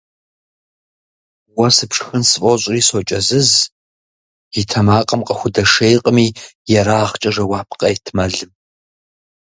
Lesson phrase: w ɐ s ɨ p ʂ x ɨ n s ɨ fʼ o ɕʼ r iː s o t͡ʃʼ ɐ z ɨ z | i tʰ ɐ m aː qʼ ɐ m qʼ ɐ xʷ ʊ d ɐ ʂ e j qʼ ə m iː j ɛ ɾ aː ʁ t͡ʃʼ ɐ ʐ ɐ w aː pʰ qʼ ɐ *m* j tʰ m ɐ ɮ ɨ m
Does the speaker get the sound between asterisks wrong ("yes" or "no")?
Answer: yes